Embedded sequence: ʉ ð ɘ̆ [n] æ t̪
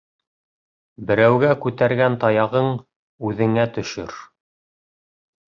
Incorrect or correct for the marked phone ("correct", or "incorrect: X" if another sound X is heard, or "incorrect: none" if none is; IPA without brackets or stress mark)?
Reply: incorrect: ŋ